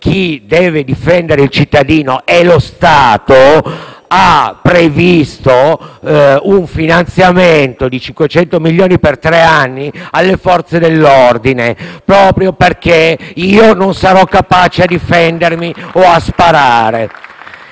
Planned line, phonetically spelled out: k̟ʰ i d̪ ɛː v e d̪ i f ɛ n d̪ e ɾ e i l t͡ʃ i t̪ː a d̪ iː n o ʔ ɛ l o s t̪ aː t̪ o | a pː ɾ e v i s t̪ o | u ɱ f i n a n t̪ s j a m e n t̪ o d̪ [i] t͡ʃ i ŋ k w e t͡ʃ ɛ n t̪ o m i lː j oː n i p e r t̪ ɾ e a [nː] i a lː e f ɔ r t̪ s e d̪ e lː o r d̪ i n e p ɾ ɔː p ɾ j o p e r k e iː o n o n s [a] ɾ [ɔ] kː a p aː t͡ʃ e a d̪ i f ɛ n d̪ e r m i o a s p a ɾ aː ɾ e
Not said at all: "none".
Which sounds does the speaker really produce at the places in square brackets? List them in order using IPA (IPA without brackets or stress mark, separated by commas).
i, nː, a, ɔ